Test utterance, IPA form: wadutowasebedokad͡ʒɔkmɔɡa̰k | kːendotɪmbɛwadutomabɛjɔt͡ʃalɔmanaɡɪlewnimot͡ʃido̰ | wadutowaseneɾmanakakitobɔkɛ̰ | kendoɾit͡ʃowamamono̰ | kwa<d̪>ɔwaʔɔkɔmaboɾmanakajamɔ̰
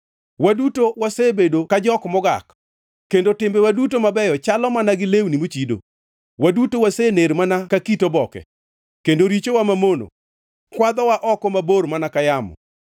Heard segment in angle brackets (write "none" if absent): d̪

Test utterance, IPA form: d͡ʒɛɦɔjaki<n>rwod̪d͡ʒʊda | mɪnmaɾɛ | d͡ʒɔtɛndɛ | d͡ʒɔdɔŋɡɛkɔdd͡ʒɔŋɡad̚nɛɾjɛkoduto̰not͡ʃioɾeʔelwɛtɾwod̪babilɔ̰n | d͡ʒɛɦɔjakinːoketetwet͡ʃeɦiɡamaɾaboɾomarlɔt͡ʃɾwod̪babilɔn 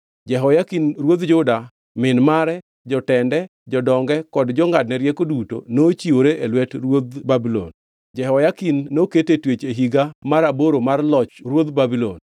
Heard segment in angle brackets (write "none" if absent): n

